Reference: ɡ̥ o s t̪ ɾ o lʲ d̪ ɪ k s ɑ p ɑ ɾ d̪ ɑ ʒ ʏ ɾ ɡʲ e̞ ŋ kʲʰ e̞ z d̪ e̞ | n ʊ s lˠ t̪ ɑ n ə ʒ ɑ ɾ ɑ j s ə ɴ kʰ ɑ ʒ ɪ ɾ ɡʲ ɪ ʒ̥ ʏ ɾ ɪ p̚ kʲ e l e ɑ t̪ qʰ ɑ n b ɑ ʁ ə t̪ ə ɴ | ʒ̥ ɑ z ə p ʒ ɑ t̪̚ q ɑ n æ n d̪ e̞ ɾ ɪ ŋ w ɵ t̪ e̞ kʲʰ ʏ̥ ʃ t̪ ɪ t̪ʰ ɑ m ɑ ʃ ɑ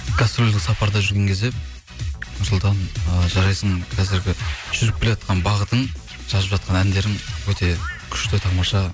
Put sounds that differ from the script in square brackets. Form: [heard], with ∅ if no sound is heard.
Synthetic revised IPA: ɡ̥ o s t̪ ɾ o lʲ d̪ ɪ k s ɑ p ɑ ɾ d̪ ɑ ʒ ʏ ɾ ɡʲ e̞ ŋ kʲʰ e̞ z d̪ e̞ | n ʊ s lˠ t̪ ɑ n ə ʒ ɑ ɾ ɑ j s ə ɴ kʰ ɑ [z] ɪ ɾ ɡʲ ɪ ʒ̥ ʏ ɾ ɪ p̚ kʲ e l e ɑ t̪ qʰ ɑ n b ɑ ʁ ə t̪ ə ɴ | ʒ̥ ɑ z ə p ʒ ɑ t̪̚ q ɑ n æ n d̪ e̞ ɾ ɪ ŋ w ɵ t̪ e̞ kʲʰ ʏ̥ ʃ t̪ ɪ t̪ʰ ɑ m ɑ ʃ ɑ